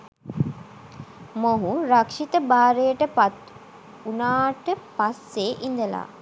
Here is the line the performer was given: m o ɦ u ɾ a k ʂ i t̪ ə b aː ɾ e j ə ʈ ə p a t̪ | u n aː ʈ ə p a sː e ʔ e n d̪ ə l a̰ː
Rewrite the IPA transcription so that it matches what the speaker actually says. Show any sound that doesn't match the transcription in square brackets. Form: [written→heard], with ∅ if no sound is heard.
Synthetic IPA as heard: m o ɦ u ɾ a k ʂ i t̪ ə b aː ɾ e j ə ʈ ə p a t̪ | u n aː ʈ ə p a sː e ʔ [e→i] n d̪ ə l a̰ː